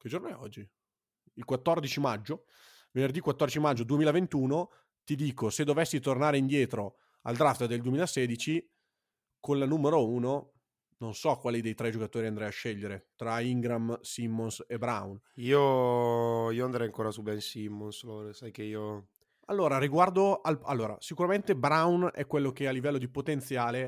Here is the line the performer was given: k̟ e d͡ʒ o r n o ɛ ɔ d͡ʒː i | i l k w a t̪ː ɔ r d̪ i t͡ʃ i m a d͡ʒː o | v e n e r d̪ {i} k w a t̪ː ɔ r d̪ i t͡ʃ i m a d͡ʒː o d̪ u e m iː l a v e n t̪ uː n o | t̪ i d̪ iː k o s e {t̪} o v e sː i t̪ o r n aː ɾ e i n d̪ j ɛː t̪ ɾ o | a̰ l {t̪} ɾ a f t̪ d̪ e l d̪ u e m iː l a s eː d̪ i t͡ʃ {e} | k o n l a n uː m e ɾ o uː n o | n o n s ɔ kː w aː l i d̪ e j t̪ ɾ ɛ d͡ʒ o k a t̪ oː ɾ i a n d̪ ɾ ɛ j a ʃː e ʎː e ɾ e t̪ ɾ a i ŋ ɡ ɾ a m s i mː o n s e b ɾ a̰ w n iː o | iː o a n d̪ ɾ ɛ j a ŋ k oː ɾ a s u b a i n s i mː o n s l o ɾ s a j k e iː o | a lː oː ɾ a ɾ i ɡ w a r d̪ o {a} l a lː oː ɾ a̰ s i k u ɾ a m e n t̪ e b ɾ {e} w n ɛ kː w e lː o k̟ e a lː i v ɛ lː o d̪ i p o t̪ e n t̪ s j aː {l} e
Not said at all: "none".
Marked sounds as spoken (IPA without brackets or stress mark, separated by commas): i, d̪, d̪, i, a, a, l